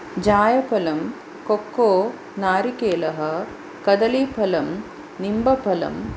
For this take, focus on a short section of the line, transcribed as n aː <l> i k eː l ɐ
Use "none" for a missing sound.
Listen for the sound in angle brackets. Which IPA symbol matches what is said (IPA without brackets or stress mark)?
ɾ